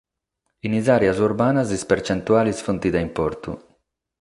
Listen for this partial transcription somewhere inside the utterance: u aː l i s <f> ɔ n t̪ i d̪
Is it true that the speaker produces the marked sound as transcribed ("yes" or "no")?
yes